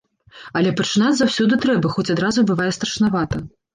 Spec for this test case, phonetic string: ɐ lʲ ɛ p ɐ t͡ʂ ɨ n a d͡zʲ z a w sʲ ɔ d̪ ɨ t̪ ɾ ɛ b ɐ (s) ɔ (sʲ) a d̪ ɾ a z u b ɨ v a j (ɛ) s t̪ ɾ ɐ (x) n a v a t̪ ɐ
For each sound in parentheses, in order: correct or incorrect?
incorrect, incorrect, correct, incorrect

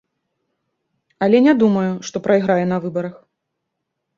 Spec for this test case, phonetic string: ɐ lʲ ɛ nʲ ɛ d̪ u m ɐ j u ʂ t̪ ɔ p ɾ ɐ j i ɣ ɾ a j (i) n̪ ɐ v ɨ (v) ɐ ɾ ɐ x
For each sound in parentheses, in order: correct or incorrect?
incorrect, incorrect

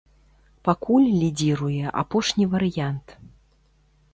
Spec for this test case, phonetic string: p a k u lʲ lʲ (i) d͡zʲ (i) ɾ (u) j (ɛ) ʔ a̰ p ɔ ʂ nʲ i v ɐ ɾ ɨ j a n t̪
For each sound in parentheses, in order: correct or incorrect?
correct, correct, correct, correct

